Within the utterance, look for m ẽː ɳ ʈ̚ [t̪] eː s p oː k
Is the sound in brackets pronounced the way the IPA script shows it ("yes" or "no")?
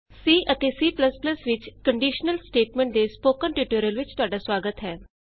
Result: no